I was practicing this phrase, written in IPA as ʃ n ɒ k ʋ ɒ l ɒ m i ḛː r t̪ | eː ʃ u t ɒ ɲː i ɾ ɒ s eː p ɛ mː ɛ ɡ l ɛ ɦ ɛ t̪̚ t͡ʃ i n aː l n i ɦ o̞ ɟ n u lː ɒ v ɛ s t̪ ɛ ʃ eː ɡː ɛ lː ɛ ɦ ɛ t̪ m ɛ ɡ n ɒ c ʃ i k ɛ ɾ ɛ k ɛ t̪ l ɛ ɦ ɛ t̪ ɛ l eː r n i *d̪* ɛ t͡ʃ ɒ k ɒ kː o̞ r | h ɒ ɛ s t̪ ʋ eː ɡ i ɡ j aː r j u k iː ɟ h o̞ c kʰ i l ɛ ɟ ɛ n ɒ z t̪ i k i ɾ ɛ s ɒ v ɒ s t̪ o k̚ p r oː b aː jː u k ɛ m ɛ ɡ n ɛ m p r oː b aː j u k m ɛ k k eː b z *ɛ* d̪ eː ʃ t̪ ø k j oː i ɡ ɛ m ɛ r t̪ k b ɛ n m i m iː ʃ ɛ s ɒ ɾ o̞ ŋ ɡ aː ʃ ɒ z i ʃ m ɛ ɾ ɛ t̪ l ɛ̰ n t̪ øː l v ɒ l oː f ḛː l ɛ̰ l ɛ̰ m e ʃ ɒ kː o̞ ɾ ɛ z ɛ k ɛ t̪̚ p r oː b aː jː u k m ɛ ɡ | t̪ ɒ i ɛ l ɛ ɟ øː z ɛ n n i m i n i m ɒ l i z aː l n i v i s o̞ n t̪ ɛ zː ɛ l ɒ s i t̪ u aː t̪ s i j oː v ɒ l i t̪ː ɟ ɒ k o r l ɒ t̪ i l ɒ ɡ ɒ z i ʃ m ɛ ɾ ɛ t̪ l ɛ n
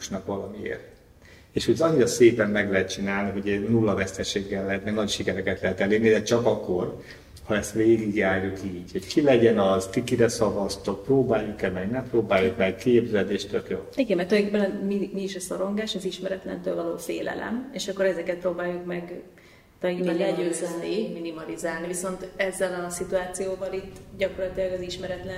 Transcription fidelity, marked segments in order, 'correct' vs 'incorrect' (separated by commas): correct, correct